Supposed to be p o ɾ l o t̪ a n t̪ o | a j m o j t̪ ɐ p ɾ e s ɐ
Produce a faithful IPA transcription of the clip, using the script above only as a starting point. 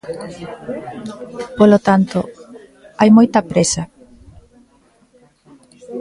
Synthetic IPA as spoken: p o l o t̪ a n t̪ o | a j m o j t̪ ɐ p ɾ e s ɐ